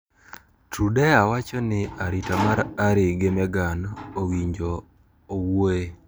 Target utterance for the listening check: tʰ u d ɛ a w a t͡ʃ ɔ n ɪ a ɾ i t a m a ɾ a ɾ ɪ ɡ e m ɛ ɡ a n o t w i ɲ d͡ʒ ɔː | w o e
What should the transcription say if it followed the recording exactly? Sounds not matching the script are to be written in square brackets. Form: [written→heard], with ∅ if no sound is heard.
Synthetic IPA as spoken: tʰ u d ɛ a w a t͡ʃ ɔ n ɪ a ɾ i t a m a ɾ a ɾ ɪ ɡ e m ɛ ɡ a n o [t→∅] w i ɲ d͡ʒ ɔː | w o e